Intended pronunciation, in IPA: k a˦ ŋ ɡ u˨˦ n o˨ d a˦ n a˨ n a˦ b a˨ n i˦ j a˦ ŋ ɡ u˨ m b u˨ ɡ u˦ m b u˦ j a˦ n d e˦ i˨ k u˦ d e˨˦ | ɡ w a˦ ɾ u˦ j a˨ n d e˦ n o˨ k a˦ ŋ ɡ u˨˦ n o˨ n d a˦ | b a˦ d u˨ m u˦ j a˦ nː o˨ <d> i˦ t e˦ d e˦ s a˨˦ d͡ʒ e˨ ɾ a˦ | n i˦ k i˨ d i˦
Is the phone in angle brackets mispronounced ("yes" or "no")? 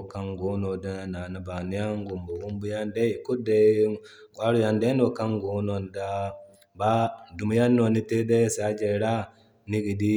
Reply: yes